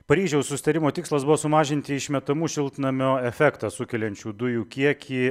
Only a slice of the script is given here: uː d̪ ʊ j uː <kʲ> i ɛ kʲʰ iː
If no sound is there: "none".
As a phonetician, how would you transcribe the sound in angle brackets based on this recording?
kʲ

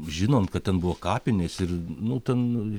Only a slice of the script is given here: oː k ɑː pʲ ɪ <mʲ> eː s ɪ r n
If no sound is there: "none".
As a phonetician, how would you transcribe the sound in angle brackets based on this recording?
nʲ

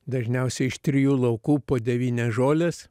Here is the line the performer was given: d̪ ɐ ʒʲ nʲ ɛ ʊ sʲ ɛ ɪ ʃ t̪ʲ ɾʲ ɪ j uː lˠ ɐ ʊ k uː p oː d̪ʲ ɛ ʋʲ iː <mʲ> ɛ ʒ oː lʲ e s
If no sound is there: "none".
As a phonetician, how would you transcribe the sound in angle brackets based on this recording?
nʲ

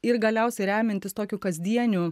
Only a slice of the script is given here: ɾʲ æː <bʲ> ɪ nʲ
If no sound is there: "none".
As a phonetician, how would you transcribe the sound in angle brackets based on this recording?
mʲ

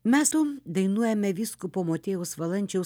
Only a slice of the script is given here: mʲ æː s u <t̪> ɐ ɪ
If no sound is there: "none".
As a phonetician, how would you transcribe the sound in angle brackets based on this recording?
d̪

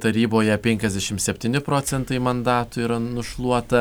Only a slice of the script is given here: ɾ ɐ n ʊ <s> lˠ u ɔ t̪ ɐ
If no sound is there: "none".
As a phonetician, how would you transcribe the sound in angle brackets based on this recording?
ʃ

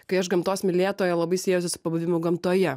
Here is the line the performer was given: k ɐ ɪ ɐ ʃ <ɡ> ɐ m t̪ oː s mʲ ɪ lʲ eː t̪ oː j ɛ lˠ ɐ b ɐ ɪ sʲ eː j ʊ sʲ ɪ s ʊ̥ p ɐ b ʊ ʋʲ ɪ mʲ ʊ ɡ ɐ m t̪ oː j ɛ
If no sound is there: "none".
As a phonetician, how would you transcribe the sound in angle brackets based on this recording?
ɡ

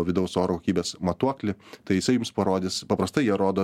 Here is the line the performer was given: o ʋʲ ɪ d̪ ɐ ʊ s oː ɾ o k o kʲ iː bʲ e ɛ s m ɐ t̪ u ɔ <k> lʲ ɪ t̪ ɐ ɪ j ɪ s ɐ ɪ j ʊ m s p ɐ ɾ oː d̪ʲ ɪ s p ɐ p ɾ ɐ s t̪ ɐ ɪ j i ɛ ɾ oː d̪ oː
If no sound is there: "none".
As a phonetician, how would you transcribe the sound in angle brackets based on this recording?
k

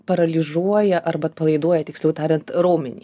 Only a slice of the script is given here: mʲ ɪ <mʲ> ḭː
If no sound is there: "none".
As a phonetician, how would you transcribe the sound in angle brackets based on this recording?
nʲ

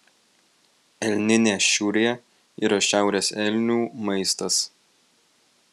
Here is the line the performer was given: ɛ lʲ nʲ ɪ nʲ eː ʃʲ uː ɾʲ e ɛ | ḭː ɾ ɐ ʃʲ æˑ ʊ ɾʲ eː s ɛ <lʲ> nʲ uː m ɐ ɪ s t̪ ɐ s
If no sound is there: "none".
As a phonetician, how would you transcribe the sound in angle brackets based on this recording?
lʲ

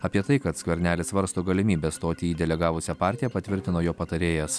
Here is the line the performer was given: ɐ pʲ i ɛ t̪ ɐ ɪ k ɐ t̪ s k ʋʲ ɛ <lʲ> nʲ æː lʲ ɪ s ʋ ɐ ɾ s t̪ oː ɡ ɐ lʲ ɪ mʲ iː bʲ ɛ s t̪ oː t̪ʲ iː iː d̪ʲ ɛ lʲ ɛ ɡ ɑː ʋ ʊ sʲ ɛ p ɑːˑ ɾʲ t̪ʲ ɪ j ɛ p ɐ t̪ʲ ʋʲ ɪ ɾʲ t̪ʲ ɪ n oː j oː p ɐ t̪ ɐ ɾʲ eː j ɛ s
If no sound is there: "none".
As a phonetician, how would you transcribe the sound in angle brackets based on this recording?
ɾʲ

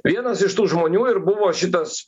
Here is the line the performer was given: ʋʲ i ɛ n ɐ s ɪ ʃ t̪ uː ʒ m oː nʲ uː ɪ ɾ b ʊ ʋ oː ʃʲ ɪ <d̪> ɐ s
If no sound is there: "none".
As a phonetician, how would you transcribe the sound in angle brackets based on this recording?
t̪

